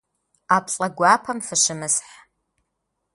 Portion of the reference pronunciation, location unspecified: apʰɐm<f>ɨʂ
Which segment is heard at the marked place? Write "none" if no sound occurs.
f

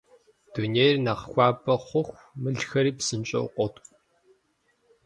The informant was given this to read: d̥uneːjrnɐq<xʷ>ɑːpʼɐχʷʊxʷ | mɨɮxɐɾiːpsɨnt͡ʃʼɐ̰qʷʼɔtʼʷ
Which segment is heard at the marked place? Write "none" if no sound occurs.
xʷ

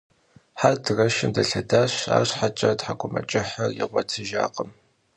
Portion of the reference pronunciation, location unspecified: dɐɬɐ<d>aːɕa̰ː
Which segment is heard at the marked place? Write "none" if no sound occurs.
d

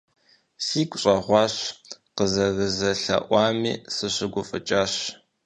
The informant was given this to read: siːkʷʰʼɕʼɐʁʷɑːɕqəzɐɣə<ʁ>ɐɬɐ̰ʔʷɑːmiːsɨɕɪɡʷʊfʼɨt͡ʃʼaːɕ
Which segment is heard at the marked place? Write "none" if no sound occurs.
z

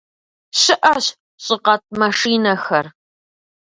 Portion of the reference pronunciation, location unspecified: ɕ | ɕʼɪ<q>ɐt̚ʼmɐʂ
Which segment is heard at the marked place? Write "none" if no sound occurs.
q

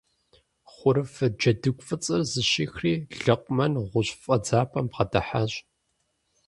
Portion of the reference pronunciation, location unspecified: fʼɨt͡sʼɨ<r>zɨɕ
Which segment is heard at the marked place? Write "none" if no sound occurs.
r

